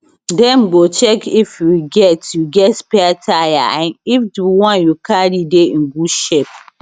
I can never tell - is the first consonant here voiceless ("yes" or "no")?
no